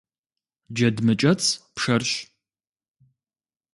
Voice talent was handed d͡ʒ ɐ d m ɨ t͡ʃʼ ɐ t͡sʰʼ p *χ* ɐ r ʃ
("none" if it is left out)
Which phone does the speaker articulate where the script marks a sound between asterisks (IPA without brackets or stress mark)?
ʂ